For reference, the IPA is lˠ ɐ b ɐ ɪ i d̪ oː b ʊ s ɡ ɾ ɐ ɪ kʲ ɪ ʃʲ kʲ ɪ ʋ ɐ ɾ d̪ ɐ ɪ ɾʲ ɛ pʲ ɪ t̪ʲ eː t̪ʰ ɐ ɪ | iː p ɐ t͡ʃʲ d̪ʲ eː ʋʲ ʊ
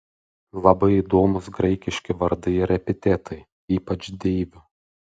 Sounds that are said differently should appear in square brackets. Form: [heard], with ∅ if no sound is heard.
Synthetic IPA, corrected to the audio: lˠ ɐ b ɐ ɪ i d̪ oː [m] ʊ s ɡ ɾ ɐ ɪ kʲ ɪ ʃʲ kʲ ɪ ʋ ɐ ɾ d̪ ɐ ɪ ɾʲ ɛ pʲ ɪ t̪ʲ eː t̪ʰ ɐ ɪ | iː p ɐ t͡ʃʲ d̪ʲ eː ʋʲ ʊ